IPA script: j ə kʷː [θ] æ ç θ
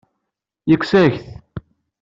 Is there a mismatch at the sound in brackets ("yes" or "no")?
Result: yes